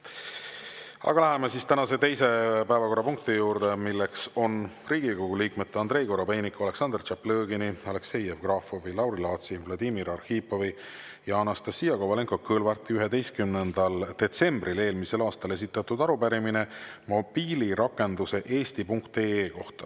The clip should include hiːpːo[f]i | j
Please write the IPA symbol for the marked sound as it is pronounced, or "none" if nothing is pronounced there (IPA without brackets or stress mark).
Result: v